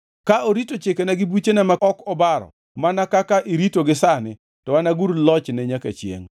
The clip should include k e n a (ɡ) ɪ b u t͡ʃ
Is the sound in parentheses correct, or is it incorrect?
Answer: correct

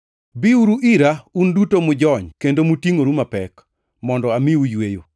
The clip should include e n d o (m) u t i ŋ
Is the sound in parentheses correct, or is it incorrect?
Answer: correct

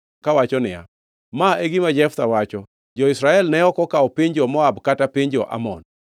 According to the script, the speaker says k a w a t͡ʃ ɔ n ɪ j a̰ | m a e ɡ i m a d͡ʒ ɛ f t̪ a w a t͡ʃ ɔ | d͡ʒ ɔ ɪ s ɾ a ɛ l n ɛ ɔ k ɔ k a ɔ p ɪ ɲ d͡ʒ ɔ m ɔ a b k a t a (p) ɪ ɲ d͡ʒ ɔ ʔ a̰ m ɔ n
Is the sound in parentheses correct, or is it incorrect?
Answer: correct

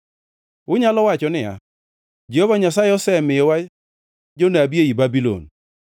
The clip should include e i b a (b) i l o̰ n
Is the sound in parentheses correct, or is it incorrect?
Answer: correct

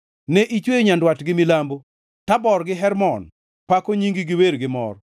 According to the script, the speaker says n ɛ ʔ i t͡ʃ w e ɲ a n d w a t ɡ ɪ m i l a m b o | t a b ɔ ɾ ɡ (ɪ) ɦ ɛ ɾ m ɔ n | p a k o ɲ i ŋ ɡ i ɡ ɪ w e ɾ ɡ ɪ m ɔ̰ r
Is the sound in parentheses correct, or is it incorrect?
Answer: correct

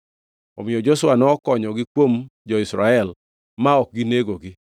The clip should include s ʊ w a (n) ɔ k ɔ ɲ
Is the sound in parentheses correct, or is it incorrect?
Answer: correct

